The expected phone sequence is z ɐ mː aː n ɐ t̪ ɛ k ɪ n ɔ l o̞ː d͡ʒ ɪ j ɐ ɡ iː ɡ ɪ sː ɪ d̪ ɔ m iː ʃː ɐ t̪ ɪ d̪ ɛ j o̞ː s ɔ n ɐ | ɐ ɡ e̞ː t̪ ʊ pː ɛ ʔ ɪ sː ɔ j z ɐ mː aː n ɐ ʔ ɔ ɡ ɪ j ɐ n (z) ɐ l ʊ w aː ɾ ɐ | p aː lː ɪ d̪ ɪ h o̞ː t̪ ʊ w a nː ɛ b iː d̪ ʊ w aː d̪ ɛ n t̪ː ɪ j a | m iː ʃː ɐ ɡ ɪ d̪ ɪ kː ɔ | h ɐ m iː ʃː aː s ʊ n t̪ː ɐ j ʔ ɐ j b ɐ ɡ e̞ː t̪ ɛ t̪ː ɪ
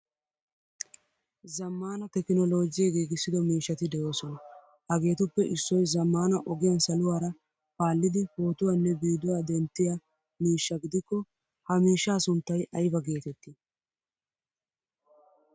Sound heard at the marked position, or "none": s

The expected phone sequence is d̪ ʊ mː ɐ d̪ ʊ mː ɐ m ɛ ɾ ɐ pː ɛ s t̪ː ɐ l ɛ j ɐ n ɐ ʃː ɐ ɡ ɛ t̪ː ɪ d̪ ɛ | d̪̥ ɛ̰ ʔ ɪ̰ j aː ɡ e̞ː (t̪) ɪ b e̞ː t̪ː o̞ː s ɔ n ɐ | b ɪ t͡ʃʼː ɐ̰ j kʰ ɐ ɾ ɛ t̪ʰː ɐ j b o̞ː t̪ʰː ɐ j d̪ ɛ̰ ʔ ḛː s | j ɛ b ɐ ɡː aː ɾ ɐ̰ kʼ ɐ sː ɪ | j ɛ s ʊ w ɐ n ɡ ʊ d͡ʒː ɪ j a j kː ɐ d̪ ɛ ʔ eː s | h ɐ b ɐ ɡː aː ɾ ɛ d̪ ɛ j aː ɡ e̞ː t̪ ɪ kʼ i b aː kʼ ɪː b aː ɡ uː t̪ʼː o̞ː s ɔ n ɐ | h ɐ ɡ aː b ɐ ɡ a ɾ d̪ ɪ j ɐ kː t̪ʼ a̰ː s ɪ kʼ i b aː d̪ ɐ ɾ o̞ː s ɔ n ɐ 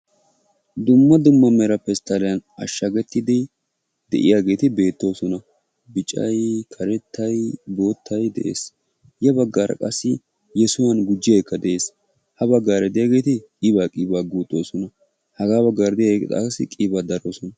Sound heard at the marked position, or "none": t̪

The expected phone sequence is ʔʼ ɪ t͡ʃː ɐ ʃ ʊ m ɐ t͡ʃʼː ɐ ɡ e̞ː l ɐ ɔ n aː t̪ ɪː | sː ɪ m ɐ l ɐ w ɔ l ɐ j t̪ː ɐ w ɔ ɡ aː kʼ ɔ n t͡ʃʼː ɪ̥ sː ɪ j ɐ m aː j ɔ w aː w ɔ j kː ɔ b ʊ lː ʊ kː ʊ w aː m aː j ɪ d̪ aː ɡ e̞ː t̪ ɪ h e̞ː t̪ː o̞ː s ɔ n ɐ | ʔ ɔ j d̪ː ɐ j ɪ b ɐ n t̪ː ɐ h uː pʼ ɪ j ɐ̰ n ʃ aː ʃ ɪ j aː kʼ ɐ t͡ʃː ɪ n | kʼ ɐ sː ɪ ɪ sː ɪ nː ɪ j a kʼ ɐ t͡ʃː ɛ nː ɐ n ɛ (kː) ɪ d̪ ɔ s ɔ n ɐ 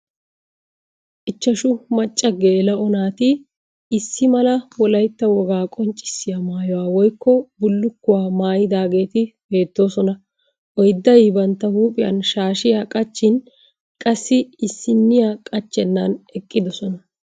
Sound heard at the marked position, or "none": kʼː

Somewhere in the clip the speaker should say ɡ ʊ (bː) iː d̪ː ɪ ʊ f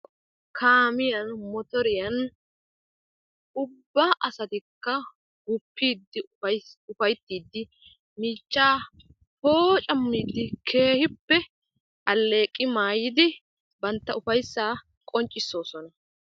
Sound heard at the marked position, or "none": pː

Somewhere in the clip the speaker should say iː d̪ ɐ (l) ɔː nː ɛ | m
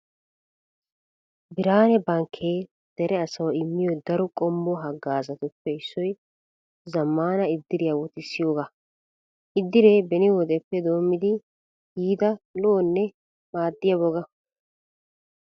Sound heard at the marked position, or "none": l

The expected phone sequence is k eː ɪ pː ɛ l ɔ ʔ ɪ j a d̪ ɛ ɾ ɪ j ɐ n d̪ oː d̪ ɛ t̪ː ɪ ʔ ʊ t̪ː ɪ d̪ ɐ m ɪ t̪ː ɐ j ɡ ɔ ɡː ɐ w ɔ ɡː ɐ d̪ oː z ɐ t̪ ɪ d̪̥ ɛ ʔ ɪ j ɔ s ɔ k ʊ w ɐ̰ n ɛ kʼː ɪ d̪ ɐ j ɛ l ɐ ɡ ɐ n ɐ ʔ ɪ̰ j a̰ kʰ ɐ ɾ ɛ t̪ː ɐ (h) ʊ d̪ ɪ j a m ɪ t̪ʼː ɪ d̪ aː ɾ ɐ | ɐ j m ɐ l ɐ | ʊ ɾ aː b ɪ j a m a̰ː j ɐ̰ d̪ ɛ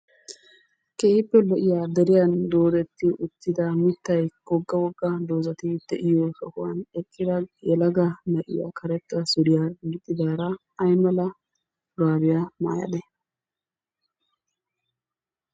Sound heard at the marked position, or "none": s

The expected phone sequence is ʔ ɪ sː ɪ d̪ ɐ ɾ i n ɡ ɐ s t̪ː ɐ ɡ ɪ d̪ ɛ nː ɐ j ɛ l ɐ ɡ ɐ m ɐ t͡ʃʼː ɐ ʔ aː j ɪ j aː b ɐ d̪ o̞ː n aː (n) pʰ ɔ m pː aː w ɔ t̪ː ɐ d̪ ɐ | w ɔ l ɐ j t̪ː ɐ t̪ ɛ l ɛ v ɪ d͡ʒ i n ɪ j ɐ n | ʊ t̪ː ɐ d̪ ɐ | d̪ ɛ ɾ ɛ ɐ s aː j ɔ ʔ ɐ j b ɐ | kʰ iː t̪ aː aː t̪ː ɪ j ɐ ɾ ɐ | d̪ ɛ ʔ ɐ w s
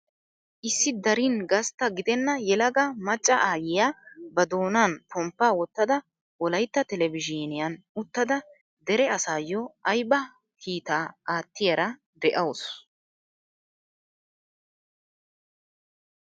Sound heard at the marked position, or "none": n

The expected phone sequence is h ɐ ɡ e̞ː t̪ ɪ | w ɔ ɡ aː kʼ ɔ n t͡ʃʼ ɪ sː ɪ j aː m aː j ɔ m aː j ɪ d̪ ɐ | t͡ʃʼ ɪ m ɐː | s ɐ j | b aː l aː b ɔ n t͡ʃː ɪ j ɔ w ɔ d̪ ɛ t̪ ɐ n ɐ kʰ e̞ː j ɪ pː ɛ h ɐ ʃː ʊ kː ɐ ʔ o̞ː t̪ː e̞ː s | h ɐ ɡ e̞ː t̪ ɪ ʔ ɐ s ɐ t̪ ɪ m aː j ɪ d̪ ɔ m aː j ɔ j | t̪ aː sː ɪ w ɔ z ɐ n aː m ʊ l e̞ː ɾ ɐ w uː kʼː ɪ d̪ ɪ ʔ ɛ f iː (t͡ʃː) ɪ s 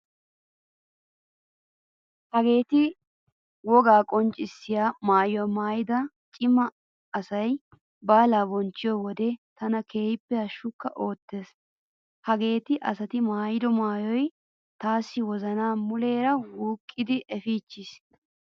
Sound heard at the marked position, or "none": t͡ʃː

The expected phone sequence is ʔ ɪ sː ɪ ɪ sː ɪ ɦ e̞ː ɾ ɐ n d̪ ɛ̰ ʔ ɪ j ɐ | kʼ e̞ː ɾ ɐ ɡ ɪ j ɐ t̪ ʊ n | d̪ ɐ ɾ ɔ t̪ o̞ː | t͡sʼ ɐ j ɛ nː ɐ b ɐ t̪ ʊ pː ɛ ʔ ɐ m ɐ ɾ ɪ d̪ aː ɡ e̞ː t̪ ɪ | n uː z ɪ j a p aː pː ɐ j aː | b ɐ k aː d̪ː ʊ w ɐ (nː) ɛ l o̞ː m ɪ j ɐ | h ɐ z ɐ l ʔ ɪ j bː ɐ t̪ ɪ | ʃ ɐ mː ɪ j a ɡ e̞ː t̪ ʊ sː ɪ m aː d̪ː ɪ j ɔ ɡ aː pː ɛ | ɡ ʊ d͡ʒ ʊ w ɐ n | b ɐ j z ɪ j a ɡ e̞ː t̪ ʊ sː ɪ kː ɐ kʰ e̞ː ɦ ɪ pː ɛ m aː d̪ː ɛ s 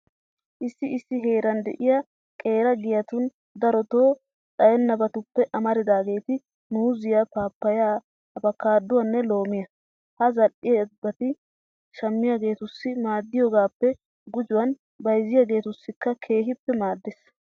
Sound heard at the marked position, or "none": nː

